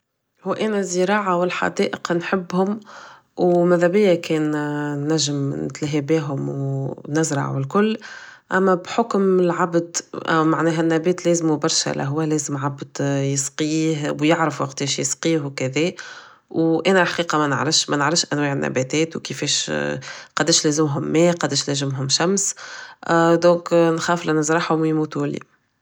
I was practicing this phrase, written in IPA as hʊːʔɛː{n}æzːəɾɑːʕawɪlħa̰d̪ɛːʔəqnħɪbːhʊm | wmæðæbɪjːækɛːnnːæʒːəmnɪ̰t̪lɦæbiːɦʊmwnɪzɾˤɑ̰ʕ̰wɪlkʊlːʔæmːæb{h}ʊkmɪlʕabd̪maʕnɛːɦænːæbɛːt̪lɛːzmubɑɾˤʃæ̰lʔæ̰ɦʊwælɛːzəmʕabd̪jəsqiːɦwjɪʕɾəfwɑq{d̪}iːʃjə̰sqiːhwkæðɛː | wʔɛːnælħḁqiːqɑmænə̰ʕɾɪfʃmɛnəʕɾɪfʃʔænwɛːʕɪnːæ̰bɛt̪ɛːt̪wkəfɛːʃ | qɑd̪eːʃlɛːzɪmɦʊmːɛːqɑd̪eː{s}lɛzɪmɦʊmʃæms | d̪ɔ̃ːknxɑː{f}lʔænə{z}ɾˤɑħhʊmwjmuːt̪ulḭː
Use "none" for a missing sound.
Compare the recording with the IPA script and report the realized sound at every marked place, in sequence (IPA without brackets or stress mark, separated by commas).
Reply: n, ħ, t̪, ʃ, f, z